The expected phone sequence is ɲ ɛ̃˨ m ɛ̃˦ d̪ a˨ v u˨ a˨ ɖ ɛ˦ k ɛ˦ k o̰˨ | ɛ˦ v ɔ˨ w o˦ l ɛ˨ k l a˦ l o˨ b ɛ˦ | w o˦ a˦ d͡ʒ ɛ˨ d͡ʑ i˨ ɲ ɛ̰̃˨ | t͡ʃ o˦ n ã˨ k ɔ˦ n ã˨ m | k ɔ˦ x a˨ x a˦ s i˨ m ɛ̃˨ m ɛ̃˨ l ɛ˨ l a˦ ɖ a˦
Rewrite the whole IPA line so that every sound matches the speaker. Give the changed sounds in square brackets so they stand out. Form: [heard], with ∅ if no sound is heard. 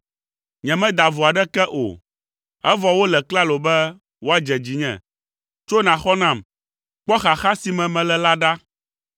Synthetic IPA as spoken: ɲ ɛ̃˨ m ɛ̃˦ d̪ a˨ v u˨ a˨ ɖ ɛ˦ k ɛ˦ [ʔ] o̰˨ | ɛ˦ v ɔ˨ w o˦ l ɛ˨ k l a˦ l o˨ b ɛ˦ | w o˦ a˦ d͡ʒ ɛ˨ d͡ʑ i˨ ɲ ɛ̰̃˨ | t͡ʃ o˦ n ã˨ [x] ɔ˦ n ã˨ m | [k͡p] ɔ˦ x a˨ x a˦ s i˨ m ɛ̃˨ m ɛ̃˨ l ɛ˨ l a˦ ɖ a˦